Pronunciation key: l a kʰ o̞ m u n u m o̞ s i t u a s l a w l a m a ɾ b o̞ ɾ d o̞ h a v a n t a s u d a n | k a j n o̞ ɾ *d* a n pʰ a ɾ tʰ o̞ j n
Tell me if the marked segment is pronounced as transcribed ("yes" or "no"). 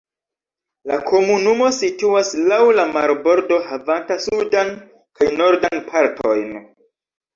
yes